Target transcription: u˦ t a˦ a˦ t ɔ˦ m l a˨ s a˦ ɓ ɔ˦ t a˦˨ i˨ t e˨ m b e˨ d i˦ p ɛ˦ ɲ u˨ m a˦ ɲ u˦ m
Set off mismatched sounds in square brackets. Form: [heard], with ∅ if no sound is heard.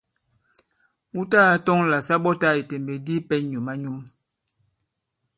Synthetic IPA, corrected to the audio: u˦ t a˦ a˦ t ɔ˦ [ŋ] l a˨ s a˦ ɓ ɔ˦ t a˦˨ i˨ t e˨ m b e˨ d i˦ p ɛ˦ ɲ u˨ m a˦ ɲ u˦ m